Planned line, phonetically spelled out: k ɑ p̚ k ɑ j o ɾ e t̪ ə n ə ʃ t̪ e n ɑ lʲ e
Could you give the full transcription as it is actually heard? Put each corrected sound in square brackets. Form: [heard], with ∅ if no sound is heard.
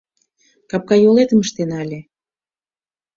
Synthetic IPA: k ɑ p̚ k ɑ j o [l] e t̪ ə [m] ə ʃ t̪ e n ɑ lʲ e